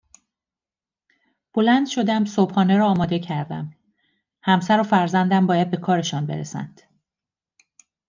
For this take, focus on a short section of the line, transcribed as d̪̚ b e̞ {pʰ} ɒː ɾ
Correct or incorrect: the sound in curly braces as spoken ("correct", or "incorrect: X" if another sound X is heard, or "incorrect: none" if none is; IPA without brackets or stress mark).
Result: incorrect: kʰ